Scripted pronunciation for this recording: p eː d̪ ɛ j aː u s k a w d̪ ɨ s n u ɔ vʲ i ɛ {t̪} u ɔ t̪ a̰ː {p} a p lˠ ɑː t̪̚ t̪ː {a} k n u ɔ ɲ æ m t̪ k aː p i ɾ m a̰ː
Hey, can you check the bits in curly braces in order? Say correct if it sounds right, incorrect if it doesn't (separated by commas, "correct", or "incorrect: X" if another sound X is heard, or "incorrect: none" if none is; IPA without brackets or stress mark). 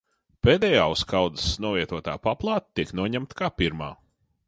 correct, correct, incorrect: i